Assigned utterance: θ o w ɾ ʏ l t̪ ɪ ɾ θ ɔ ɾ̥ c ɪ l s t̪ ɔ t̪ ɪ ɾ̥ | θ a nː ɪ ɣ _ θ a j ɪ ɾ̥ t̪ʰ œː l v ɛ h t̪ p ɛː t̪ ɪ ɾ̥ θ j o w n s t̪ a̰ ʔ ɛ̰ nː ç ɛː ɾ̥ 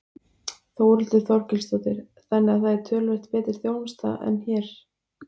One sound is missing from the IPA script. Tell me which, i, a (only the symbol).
a